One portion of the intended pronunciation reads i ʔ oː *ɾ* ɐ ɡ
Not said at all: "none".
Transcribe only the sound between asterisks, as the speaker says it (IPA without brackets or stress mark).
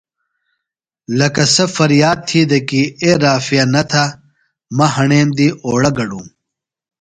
ɽ